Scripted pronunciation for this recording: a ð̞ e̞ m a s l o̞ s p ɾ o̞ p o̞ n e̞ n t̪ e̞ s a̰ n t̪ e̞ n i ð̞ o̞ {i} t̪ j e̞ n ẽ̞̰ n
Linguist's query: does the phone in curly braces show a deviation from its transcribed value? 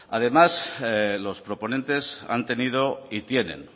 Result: no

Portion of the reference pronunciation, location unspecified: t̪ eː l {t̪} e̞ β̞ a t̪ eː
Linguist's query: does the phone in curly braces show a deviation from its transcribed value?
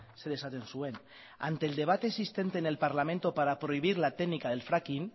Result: yes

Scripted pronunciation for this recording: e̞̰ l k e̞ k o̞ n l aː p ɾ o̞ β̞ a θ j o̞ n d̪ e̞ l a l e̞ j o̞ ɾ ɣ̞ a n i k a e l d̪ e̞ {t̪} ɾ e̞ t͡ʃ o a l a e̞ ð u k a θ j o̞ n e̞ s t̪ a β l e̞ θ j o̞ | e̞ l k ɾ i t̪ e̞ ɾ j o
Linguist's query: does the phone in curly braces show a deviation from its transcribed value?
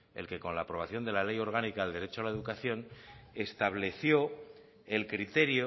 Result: yes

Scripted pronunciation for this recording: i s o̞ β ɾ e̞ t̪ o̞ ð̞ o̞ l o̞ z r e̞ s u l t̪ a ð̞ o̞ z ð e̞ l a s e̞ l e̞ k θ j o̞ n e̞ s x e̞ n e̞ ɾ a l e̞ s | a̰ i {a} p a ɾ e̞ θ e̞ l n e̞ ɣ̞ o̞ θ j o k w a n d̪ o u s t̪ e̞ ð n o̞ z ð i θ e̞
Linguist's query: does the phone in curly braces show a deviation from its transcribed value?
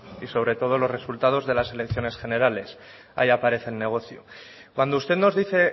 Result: no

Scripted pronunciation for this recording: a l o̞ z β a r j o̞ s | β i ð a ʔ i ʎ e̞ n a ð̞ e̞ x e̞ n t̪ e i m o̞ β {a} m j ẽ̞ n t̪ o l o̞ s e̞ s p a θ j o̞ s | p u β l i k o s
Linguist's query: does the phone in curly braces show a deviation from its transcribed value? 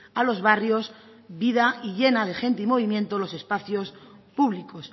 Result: yes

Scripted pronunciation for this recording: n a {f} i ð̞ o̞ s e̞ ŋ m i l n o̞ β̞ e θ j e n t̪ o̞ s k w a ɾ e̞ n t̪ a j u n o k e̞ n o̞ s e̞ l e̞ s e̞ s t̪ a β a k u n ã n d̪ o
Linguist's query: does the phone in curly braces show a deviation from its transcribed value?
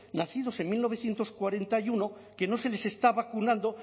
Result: yes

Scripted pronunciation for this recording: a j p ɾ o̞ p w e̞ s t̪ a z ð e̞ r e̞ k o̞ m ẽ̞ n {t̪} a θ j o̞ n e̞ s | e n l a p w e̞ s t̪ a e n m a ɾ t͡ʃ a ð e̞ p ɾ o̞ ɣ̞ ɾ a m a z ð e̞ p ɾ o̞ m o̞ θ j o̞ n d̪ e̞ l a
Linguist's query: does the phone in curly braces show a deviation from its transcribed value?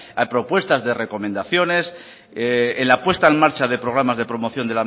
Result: yes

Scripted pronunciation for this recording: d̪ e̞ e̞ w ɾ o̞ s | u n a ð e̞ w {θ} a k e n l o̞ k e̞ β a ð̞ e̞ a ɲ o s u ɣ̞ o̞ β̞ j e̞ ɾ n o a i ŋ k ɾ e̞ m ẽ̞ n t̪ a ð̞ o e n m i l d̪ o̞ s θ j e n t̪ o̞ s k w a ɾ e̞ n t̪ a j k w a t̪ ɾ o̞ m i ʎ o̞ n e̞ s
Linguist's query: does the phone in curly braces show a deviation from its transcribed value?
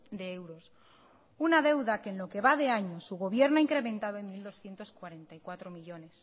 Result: yes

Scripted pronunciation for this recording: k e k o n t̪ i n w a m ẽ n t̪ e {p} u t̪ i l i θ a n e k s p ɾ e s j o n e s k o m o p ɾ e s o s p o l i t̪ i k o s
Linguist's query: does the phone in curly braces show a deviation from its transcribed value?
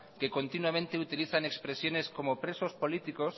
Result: yes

